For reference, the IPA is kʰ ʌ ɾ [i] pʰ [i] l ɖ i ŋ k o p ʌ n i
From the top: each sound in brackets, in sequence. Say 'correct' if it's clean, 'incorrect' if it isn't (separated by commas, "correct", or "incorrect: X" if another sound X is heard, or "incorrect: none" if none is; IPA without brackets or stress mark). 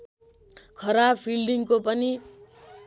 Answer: incorrect: a, correct